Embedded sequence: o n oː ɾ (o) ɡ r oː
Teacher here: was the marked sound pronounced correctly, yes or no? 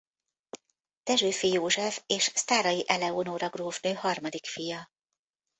no